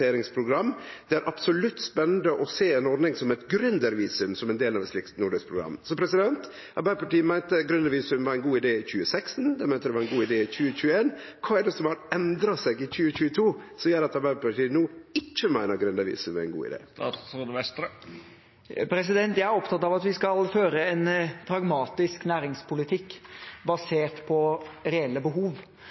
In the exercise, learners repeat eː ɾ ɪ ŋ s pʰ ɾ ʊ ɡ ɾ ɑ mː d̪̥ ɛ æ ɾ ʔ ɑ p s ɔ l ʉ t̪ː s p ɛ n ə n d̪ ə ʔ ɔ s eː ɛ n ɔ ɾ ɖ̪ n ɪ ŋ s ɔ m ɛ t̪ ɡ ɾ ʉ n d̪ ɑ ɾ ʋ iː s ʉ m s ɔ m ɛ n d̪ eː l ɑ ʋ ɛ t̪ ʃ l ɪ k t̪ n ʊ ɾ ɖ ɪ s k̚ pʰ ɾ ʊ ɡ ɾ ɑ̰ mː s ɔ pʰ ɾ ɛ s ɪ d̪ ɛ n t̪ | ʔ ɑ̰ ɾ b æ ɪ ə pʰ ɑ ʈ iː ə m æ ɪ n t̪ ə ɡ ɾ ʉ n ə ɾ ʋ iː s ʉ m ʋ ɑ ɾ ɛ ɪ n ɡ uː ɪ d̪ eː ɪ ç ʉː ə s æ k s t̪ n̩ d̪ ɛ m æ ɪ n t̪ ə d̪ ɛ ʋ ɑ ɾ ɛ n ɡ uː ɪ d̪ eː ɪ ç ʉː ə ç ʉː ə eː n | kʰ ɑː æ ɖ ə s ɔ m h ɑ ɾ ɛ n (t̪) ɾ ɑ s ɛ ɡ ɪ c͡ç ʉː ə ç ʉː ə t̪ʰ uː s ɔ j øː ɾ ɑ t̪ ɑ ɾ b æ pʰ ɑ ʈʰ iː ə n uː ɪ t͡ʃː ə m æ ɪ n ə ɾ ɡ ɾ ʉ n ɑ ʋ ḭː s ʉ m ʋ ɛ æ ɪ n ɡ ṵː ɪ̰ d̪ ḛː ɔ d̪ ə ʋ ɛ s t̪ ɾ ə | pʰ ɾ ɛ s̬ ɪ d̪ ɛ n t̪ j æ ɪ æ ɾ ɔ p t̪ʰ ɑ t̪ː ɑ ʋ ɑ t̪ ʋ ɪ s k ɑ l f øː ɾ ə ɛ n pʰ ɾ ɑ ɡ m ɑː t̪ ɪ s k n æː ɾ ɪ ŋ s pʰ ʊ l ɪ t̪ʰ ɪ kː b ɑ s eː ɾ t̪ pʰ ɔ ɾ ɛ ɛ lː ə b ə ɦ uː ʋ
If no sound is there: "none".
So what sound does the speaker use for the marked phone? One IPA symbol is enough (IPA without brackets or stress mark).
d̪